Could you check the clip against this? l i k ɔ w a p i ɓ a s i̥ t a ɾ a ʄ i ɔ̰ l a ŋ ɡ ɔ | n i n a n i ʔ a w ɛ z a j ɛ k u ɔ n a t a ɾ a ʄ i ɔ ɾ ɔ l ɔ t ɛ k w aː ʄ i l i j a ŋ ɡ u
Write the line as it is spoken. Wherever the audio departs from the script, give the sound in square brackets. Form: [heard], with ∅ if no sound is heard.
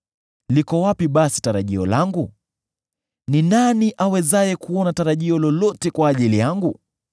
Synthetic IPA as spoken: l i k ɔ w a p i ɓ a s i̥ t a ɾ a ʄ i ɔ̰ l a ŋ ɡ [u] | n i n a n i ʔ a w ɛ z a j ɛ k u ɔ n a t a ɾ a ʄ i ɔ [l] ɔ l ɔ t ɛ k w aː ʄ i l i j a ŋ ɡ u

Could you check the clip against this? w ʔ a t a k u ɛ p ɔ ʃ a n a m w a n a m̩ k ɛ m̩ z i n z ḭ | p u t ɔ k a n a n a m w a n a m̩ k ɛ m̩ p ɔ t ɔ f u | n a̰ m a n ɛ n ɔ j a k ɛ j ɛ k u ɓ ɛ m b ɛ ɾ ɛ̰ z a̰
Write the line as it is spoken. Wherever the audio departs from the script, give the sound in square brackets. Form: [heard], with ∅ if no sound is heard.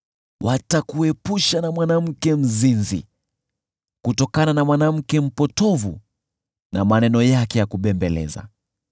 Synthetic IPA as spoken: w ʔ a t a k u ɛ p [u] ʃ a n a m w a n a m̩ k ɛ m̩ z i n z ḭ | [k] u t ɔ k a n a n a m w a n a m̩ k ɛ m̩ p ɔ t ɔ [v] u | n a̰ m a n ɛ n ɔ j a k ɛ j [a] k u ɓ ɛ m b ɛ [l] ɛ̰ z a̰

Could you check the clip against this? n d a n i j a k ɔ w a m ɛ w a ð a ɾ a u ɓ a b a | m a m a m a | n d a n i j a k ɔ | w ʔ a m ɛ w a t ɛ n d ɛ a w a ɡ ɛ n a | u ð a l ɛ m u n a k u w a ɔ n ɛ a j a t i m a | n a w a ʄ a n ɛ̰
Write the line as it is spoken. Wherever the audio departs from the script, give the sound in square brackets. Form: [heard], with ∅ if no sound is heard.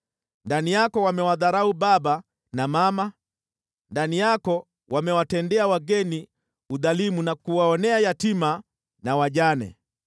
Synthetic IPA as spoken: n d a n i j a k ɔ w a m ɛ w a ð a ɾ a u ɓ a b a | [n] a m a m a | n d a n i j a k ɔ | w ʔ a m ɛ w a t ɛ n d ɛ a w a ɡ ɛ n [i] | u ð a l [i] m u n a k u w a ɔ n ɛ a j a t i m a | n a w a ʄ a n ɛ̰

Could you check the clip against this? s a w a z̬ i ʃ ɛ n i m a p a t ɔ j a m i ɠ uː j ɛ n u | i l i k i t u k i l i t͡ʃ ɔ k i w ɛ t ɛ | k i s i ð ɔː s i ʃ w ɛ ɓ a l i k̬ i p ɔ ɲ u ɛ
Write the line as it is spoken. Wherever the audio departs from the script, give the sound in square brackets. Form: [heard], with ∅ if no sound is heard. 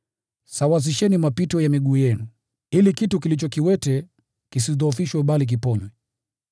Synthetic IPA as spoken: s a w a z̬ i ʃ ɛ n i m a p [i] t ɔ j a m i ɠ uː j ɛ n u | i l i k i t u k i l i t͡ʃ ɔ k i w ɛ t ɛ | k i s i ð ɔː [f] i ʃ w ɛ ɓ a l i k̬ i p ɔ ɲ [w] ɛ

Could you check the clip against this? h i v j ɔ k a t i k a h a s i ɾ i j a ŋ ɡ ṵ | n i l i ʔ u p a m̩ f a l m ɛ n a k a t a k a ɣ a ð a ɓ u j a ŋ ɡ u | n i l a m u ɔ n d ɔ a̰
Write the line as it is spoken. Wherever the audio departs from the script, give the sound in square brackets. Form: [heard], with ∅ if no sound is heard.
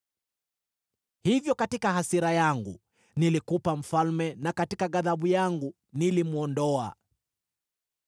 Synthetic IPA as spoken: h i v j ɔ k a t i k a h a s i ɾ [a] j a ŋ ɡ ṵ | n i l i [k] u p a m̩ f a l m ɛ n a k a t [i] k a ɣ a ð a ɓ u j a ŋ ɡ u | n i l [i] m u ɔ n d ɔ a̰

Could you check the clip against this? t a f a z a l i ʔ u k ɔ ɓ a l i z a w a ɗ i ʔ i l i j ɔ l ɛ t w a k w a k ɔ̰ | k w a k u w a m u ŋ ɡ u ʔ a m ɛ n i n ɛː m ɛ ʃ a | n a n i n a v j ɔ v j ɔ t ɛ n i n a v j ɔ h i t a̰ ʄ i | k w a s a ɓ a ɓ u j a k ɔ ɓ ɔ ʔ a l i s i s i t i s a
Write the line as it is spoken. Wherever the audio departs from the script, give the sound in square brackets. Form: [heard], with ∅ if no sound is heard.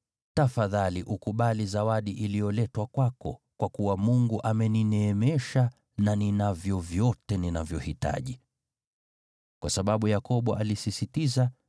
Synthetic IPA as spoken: t a f a [ð] a l i ʔ u k [u] ɓ a l i z a w a ɗ i ʔ i l i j ɔ l ɛ t w a k w a k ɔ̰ | k w a k u w a m u ŋ ɡ u ʔ a m ɛ n i n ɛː m ɛ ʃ a | n a n i n a v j ɔ v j ɔ t ɛ n i n a v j ɔ h i t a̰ ʄ i | k w a s a ɓ a ɓ u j a k ɔ ɓ ɔ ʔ a l i s i s i t i [z] a

